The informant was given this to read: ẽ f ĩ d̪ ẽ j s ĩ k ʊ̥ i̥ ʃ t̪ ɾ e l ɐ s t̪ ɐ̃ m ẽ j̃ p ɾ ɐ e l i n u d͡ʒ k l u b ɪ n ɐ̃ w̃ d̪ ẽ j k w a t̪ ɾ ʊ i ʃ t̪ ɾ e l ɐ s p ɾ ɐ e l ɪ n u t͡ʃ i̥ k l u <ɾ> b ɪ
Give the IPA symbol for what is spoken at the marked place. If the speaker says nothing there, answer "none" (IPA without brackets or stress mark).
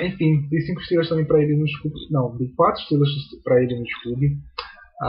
none